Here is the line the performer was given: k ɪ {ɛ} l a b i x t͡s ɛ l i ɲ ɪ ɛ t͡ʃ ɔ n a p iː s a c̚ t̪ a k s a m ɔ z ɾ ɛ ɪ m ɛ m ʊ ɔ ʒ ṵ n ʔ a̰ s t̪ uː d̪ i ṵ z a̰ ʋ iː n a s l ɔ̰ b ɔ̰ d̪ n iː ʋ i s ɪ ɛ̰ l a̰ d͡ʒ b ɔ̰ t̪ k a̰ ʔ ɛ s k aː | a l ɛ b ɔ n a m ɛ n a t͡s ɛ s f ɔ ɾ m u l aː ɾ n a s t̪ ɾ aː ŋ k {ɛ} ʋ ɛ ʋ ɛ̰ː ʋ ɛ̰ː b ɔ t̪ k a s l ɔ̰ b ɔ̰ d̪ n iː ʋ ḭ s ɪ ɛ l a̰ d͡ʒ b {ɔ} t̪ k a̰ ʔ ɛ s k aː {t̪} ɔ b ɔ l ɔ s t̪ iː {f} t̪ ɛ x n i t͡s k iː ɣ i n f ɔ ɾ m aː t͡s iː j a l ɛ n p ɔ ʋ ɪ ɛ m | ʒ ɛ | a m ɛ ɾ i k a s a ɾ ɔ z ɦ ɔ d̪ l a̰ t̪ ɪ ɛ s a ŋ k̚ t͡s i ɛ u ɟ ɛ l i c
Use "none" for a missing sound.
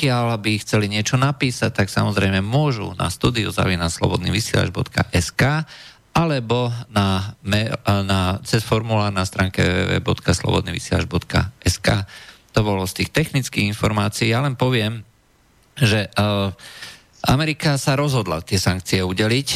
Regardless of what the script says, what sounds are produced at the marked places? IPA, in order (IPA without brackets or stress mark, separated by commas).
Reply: a, ɛ, ɔ, t̪, x